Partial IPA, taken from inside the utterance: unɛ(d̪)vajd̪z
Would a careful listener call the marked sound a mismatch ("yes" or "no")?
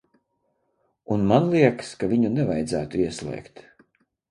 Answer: yes